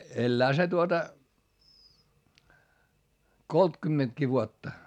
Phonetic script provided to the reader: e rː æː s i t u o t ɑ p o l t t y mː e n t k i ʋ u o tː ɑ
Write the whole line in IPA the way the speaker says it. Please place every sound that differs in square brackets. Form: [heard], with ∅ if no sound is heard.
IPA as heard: e [lː] æː s [e] t u o t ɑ [k] o l t [k] y mː e n t k i ʋ u o tː ɑ